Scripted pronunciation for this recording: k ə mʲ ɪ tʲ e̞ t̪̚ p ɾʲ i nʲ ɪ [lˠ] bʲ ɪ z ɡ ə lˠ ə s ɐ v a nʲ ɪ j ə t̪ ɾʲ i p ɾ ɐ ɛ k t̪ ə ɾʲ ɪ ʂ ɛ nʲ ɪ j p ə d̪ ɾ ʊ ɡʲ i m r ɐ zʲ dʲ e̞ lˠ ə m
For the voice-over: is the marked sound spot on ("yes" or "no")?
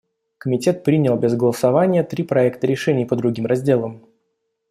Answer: yes